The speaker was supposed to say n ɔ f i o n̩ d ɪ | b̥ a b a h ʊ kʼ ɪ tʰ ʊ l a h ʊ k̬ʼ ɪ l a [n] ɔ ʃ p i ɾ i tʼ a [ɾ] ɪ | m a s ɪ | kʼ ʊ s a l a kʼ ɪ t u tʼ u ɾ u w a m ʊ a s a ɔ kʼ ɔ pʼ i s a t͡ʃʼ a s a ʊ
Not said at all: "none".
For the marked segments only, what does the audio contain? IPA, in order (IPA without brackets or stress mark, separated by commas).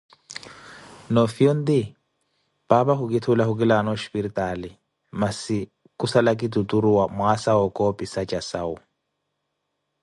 n, l